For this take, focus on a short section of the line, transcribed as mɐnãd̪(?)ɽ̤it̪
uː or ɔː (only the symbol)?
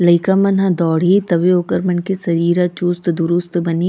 ɔː